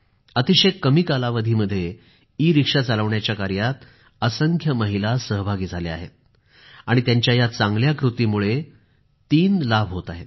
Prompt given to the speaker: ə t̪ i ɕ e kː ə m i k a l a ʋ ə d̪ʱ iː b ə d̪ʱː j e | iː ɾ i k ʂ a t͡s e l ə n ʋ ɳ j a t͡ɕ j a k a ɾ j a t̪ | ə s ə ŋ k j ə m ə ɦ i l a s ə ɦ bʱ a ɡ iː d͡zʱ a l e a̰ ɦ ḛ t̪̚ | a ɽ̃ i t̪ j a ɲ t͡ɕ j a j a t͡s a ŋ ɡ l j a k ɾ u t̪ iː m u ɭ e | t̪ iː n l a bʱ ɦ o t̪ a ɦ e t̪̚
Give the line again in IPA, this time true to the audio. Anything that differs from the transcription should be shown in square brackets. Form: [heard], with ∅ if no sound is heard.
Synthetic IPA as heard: ə t̪ i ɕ e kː ə m i k a l a ʋ ə d̪ʱ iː [m] ə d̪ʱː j e | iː ɾ i k ʂ a t͡s [a] l ə [∅] ʋ ɳ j a t͡ɕ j a k a ɾ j a t̪ | ə s ə ŋ [kʰ] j ə m ə ɦ i l a s ə ɦ bʱ a ɡ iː d͡zʱ a l e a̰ ɦ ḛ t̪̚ | a ɽ̃ i t̪ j a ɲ t͡ɕ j a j a t͡s a ŋ ɡ l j a k ɾ u t̪ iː m u ɭ e | t̪ iː n l a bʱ ɦ o t̪ a ɦ e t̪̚